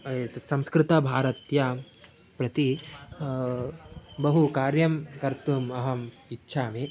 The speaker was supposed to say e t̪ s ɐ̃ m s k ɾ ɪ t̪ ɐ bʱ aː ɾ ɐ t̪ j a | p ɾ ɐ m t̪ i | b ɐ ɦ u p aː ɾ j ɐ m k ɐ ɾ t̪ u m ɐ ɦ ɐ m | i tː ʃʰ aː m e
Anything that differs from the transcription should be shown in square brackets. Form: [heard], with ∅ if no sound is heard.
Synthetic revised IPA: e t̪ s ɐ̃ m s k ɾ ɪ t̪ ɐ bʱ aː ɾ ɐ t̪ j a | p ɾ ɐ [∅] t̪ i | b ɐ ɦ u [k] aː ɾ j ɐ m k ɐ ɾ t̪ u m ɐ ɦ ɐ m | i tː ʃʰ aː m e